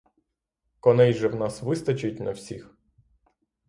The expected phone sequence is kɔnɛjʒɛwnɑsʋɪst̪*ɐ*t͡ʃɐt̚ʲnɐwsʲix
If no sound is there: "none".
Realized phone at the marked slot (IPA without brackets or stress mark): ɐ